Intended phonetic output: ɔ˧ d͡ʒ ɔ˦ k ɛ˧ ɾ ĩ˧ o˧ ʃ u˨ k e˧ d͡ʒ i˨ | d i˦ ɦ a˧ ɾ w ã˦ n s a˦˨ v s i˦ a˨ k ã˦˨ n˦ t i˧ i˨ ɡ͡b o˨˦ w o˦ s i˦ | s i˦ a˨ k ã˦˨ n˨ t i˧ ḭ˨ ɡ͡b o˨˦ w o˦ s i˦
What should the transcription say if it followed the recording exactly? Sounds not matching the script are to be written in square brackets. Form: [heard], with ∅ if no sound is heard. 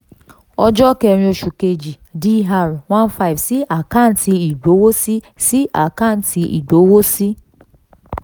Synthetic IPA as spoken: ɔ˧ d͡ʒ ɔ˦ k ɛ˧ ɾ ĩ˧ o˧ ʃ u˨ k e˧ d͡ʒ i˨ | d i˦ ɦ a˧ ɾ w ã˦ n [f] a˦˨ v s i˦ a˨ k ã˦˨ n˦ t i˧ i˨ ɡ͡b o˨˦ w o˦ s i˦ | s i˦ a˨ k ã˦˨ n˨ t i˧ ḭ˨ ɡ͡b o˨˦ w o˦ s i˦